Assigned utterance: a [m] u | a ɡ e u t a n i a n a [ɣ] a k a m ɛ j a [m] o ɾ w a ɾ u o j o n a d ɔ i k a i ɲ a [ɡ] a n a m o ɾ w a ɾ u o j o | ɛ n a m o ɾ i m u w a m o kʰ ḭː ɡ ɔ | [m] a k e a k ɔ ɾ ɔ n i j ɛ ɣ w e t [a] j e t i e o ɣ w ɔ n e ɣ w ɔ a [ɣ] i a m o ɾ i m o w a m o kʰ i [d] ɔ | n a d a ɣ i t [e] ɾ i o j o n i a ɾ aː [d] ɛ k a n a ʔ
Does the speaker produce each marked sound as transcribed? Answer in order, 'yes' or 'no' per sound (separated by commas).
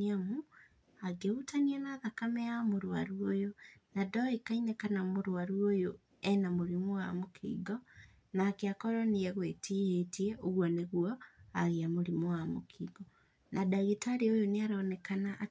yes, no, yes, no, no, no, yes, no, no, no